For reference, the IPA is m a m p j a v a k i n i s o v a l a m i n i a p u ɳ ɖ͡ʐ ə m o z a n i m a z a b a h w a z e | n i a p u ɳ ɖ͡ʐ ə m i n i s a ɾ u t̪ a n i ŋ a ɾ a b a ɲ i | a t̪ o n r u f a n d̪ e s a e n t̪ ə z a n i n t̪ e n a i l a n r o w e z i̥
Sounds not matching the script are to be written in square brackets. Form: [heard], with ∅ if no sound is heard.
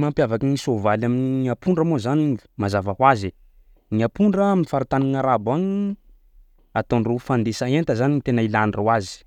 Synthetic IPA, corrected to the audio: m a m p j a v a k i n i s o v a l a m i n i a p u ɳ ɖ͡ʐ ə m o z a n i m a z a [v] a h w a z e | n i a p u ɳ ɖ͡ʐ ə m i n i [f] a ɾ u t̪ a n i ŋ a ɾ a b a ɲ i | a t̪ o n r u f a n d̪ e s a e n t̪ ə z a n i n t̪ e n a i l a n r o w [a] z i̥

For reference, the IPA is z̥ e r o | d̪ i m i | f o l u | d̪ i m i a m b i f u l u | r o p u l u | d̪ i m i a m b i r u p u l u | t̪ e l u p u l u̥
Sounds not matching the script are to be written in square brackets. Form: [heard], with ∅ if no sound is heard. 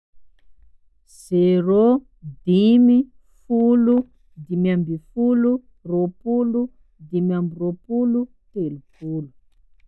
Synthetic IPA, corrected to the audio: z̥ e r o | d̪ i m i | f [u] l u | d̪ i m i a m b i f u l u | r o p u l u | d̪ i m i a m b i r [o] p u l u | t̪ e l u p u l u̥

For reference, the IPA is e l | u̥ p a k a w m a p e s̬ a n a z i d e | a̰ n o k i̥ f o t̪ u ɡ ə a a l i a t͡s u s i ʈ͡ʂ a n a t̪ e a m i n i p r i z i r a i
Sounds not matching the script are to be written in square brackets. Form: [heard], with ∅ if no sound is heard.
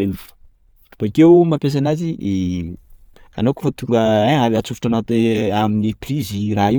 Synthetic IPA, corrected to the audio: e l | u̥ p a k [e] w m a p e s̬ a n a z i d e | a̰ n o k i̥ f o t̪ u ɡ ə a a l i a t͡s u [f] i ʈ͡ʂ a n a t̪ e a m i n i p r i z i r a i

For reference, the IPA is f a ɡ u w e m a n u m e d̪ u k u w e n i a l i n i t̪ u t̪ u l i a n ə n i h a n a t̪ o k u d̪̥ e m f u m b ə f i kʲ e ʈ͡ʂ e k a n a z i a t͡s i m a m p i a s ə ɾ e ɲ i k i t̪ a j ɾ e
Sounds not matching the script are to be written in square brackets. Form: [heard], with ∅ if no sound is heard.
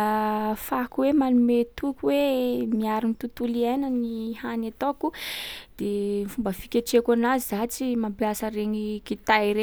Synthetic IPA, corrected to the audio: f a [k] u w e m a n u m e [t̪] u k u w e [m] i a [ɾ] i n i t̪ u t̪ u l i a n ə n i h a n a t̪ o k u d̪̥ e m f u m b ə f i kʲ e ʈ͡ʂ e k a n a z i a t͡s i m a m p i a s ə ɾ e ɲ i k i t̪ a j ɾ e

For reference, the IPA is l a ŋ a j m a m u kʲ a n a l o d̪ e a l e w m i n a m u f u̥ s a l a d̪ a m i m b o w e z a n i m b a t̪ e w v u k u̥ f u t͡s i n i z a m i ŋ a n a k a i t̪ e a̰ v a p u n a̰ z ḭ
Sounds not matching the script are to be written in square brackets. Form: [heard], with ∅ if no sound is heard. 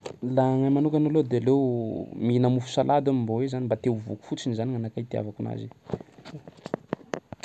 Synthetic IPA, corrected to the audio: l a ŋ a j m a [n] u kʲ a n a l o d̪ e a l e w m i n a m u f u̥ s a l a d̪ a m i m b o w e z a n i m b a t̪ e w v u k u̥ f u t͡s i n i z a [n] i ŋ a n a k a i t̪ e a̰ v a [k] u n a̰ z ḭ

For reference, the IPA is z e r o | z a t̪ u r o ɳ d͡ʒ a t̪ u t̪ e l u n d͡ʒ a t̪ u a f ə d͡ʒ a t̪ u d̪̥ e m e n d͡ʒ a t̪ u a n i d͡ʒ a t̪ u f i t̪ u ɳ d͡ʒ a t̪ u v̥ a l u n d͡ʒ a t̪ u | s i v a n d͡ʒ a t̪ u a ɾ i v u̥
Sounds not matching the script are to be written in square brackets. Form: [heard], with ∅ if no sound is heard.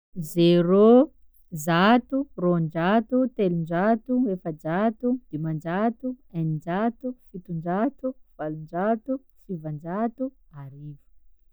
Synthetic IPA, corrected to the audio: z e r o | z a t̪ u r o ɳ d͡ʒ a t̪ u t̪ e l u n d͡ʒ a t̪ u [e] f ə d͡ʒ a t̪ u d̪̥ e m [a] n d͡ʒ a t̪ u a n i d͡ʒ a t̪ u f i t̪ u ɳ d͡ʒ a t̪ u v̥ a l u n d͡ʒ a t̪ u | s i v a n d͡ʒ a t̪ u a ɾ i v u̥

